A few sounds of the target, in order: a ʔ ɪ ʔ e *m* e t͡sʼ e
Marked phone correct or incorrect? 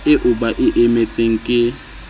correct